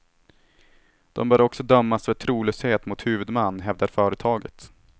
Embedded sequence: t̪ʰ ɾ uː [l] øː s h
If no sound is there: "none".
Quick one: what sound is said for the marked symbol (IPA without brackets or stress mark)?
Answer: l